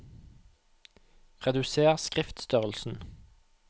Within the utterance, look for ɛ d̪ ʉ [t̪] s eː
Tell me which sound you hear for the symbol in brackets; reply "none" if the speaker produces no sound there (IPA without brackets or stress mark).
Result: none